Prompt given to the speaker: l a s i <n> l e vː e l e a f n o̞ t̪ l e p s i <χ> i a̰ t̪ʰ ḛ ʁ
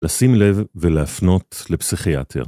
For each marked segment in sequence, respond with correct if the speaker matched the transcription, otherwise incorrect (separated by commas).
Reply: incorrect, correct